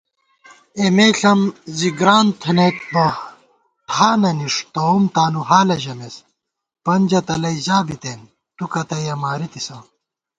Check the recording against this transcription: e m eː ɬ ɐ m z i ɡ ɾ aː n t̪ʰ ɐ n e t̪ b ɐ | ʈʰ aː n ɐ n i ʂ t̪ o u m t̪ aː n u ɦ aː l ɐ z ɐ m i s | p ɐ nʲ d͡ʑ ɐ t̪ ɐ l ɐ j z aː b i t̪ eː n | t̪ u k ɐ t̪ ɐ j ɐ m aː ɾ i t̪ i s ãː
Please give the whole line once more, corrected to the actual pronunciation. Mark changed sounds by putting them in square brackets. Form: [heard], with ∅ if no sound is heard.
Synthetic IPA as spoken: e m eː ɬ ɐ m z i ɡ ɾ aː n t̪ʰ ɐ n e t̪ b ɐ | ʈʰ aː n ɐ n i ʂ t̪ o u m t̪ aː n u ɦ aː l ɐ [ʑ] ɐ m [e] s | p ɐ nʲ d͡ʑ ɐ t̪ ɐ l ɐ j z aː b i t̪ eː n | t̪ u k ɐ t̪ ɐ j ɐ m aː ɾ i t̪ i s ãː